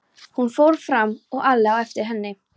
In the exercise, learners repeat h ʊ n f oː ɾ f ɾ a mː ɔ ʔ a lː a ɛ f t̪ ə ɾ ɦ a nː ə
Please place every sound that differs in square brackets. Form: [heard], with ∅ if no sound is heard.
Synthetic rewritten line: h ʊ n f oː ɾ f ɾ a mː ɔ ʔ a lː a ɛ f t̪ ə ɾ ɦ [ɛ] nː ə